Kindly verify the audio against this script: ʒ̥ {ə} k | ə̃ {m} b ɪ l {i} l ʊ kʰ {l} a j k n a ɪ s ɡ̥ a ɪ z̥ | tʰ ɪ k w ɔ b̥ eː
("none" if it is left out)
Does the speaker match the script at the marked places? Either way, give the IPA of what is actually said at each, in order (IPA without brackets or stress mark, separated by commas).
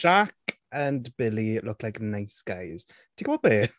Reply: a, n, i, l